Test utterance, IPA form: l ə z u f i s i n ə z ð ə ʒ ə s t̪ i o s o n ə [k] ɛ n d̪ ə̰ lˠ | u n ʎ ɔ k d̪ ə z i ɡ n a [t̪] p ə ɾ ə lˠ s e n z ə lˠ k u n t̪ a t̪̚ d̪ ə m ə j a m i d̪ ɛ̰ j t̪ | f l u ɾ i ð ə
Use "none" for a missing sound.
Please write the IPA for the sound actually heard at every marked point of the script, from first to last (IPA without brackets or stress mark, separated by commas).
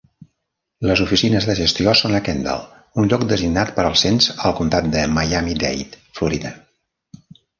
k, t̪